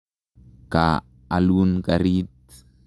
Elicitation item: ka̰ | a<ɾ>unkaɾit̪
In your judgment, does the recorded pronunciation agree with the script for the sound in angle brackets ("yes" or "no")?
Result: no